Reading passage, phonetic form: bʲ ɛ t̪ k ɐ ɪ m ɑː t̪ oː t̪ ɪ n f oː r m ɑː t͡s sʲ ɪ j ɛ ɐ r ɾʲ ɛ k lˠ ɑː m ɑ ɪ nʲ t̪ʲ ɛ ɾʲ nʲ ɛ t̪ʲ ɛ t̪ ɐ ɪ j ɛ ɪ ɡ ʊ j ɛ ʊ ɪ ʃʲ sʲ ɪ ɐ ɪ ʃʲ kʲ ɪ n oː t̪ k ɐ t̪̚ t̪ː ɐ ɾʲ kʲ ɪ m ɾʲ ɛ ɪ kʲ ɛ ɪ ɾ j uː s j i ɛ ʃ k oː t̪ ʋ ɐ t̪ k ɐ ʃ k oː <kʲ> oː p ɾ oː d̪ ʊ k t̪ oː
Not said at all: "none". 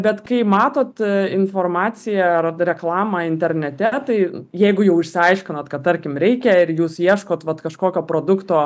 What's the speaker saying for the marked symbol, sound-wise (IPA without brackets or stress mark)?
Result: kʲ